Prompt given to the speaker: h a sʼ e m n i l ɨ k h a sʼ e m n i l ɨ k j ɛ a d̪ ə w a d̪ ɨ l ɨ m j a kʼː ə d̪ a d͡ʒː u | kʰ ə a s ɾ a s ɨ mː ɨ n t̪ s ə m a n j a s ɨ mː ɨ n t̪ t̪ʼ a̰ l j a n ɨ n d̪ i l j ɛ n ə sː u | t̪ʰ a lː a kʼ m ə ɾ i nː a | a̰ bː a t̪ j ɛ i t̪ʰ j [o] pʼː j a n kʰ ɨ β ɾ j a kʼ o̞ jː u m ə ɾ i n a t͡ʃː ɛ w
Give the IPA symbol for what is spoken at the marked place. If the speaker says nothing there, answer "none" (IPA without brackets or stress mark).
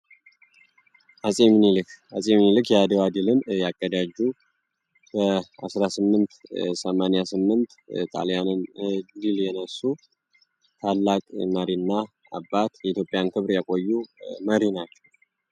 o